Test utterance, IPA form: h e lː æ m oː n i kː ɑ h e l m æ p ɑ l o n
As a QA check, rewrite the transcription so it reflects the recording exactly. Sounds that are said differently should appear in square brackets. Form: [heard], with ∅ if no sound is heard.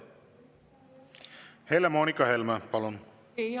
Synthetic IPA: h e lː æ m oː n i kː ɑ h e l m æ p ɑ l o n